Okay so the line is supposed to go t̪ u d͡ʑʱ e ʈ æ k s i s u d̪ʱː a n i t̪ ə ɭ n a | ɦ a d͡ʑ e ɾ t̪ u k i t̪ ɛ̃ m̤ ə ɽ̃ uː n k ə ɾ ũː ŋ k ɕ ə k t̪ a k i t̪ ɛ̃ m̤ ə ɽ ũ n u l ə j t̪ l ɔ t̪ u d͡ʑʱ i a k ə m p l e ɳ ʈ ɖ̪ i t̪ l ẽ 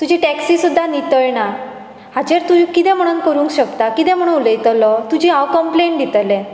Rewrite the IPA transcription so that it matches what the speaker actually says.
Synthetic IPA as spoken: t̪ u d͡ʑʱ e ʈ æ k s i s u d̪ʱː a n i t̪ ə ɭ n a | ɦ a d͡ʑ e ɾ t̪ u k i t̪ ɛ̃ m̤ ə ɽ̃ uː n k ə ɾ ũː ŋ k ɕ ə k t̪ a k i t̪ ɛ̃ m̤ ə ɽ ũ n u l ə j t̪ l ɔ t̪ u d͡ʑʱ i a k ə m p l e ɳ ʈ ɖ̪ i t̪ l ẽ